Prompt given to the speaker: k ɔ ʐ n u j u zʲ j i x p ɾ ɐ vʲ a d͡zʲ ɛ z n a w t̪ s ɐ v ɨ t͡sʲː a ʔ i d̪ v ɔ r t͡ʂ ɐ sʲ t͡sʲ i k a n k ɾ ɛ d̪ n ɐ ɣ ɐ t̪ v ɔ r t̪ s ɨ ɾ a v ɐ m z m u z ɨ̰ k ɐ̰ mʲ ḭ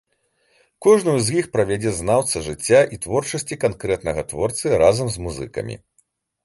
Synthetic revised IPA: k ɔ ʐ n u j u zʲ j i x p ɾ ɐ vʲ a d͡zʲ ɛ z n a w t̪ s ɐ ʐ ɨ t͡sʲː a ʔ i t̪ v ɔ r t͡ʂ ɐ sʲ t͡sʲ i k a n k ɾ ɛ t̪ n ɐ ɣ ɐ t̪ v ɔ r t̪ s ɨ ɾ a z ɐ m z m u z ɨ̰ k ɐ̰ mʲ ḭ